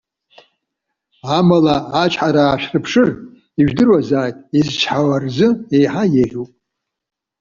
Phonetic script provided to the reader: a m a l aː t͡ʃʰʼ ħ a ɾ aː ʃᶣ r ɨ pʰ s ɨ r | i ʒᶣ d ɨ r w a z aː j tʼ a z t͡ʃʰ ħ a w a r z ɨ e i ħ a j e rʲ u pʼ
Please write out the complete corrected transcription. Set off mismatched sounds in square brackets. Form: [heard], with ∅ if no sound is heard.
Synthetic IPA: a m a l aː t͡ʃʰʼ ħ a ɾ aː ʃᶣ r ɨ pʰ [ʂ] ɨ r | i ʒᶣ d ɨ r w a z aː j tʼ [i] z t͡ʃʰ ħ a w a r z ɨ e [j] ħ a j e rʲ u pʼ